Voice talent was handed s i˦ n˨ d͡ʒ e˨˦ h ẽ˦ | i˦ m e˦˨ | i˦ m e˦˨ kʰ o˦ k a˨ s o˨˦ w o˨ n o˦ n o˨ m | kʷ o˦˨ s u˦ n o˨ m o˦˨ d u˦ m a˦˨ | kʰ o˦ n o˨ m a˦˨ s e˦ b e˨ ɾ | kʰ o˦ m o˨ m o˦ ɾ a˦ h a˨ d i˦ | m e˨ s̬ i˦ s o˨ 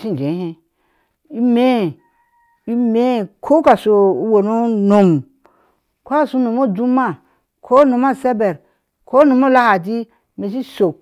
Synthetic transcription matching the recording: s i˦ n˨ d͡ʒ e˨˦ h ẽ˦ | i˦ m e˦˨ | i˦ m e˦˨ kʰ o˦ k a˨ s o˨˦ w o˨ n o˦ n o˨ m | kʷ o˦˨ s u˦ n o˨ m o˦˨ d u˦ m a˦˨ | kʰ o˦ n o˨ m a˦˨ s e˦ b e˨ ɾ | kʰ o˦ n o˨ m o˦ l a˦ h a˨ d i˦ | m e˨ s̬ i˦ s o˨